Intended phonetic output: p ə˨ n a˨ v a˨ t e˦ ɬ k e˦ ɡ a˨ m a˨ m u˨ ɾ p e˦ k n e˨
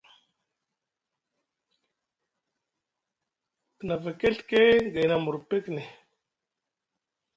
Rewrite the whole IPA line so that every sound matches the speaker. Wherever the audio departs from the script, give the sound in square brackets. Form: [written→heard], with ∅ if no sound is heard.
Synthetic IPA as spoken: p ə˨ n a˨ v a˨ [t→k] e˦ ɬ k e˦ ɡ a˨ [m→n] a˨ m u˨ ɾ p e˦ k n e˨